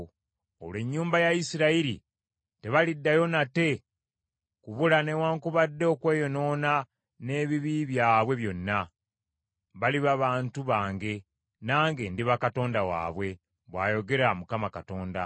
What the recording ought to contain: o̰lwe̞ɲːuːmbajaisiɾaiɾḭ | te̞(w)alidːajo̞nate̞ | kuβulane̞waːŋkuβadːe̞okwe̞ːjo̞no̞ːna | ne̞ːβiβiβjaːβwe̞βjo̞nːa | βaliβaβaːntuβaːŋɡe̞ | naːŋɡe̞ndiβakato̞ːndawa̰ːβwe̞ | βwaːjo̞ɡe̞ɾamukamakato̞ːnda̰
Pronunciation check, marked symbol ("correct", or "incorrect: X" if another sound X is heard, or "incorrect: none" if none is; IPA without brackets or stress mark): incorrect: β